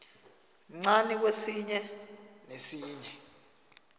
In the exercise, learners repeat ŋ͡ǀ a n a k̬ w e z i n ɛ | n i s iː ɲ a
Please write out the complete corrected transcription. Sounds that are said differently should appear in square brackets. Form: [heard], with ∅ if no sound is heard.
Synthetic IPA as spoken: ŋ͡ǀ a n [i] k̬ w e [s] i [ɲ] ɛ | n [e] s iː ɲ [ɛ]

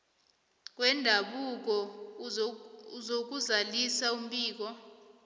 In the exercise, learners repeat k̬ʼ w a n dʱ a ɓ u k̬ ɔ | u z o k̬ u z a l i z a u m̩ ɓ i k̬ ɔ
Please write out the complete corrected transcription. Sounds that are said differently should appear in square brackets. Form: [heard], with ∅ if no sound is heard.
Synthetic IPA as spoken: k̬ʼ w [ɛ] n dʱ a ɓ u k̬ ɔ | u z o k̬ u z a l i [s] a u m̩ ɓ [iː] k̬ ɔ

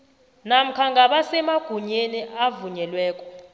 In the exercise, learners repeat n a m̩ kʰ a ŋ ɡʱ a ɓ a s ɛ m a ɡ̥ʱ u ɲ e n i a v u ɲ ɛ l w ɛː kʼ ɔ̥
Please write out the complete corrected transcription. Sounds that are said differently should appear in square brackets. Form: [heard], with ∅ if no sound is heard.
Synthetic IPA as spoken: n a m̩ kʰ a ŋ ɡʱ a ɓ a s ɛ m a ɡ̥ʱ u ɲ e n i a v u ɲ ɛ l w ɛː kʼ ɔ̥

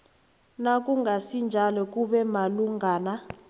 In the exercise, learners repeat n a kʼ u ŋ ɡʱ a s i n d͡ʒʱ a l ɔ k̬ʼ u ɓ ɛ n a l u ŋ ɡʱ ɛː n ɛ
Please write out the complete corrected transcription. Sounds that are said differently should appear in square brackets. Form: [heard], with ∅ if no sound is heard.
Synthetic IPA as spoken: n a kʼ u ŋ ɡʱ a s i n d͡ʒʱ a l ɔ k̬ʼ u ɓ ɛ [m] a l u ŋ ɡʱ [aː] n [a]

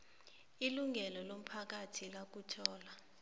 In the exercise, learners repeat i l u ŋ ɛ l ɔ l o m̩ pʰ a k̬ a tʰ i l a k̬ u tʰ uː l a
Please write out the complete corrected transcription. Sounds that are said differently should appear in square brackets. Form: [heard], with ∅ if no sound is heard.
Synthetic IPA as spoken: i l u ŋ ɛ l ɔ l o m̩ pʰ a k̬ a tʰ i l a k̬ u tʰ [ɔː] l a

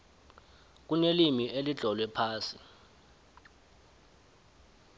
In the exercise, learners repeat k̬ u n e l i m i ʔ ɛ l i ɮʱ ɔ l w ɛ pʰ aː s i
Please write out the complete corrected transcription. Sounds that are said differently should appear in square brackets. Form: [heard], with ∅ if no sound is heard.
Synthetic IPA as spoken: k̬ u n e l i m i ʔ [e] l i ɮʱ ɔ l w ɛ pʰ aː s i

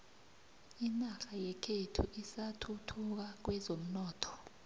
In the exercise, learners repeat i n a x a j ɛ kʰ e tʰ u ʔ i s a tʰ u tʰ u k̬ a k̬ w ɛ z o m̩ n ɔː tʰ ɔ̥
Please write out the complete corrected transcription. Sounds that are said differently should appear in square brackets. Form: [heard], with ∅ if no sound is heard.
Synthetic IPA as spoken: i n a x a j ɛ kʰ e tʰ u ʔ i s a tʰ u tʰ u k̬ a k̬ w ɛ z o m̩ n ɔː tʰ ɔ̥

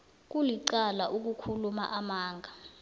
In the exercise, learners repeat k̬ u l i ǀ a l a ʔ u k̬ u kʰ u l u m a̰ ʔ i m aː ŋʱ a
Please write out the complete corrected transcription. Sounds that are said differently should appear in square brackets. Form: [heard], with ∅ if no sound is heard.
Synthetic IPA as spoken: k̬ u l i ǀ a l a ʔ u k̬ u kʰ u l u m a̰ ʔ [a] m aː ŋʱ a

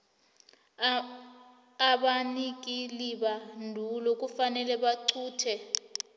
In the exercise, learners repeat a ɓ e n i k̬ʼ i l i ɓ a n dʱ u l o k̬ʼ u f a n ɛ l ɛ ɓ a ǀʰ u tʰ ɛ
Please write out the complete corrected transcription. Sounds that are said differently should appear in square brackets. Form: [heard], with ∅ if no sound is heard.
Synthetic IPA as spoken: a ɓ [a] n i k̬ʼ i l i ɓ a n dʱ u l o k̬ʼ u f a n ɛ l ɛ ɓ a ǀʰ [uː] tʰ ɛ

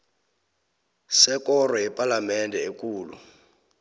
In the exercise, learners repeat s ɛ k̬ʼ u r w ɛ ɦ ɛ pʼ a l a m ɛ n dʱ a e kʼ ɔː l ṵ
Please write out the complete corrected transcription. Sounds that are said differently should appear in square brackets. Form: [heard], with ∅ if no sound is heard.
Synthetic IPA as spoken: s ɛ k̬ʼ [ɔ] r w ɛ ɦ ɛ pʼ a l a m ɛ n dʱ [ɛ] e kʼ [uː] l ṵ

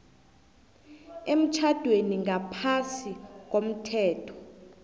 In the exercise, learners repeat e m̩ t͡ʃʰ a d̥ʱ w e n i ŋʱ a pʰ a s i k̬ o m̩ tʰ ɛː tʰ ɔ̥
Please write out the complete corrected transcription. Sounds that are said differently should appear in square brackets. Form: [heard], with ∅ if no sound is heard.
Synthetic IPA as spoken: e m̩ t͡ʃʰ a d̥ʱ w e n i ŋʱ a pʰ a s i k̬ o m̩ tʰ ɛː tʰ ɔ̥

